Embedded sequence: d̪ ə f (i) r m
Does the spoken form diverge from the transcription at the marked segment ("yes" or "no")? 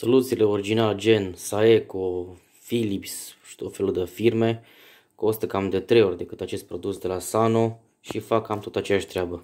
no